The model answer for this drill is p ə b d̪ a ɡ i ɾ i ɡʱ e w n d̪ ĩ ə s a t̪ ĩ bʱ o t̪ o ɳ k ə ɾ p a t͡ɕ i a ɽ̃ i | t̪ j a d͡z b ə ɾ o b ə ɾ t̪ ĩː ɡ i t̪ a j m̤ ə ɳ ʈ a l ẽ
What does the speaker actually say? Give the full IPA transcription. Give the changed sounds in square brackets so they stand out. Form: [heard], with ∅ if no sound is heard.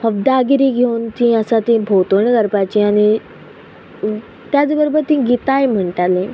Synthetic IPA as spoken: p ə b d̪ a ɡ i ɾ i ɡʱ e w n [t̪] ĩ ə s a t̪ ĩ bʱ o t̪ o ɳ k ə ɾ p a t͡ɕ i a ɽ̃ i | t̪ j a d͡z b ə ɾ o b ə ɾ t̪ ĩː ɡ i t̪ a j m̤ ə ɳ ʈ a l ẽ